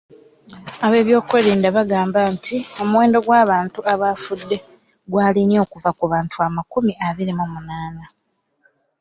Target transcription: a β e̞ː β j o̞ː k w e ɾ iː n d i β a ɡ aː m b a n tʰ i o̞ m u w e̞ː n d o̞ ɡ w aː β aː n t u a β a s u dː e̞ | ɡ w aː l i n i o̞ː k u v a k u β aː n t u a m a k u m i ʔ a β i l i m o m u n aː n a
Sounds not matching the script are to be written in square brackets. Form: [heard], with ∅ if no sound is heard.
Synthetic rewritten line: a β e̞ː β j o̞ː k w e ɾ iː n d [a] β a ɡ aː m b a n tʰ i o̞ m u w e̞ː n d o̞ ɡ w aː β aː n t u a β a [f] u dː e̞ | ɡ w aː l i n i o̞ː k u v a k u β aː n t u a m a k u m i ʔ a β i [ɾ] i m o m u n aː n a